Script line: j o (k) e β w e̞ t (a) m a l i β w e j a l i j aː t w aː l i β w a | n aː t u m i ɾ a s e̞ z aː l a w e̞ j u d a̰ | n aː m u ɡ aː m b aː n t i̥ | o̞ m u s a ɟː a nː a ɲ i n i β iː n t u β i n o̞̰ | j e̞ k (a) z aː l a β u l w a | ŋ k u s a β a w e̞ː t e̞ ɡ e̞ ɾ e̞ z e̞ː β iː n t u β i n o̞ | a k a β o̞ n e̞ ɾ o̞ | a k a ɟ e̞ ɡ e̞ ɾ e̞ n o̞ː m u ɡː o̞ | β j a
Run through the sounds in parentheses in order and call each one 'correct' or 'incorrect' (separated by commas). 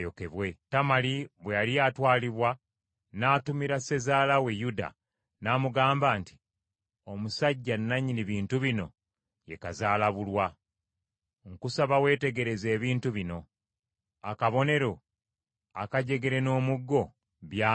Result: correct, correct, correct